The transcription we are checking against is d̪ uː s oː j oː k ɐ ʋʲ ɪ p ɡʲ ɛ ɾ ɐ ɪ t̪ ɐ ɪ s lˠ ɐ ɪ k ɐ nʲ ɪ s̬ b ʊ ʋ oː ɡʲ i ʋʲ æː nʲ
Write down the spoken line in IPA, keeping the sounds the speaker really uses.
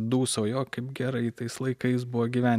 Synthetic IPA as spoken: d̪ uː s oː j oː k ɐ ɪ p ɡʲ ɛ ɾ ɐ ɪ t̪ ɐ ɪ s lˠ ɐ ɪ k ɐ ɪ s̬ b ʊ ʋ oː ɡʲ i ʋʲ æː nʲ